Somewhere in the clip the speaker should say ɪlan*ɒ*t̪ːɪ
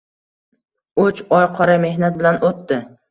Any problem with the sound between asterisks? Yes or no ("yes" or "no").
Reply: yes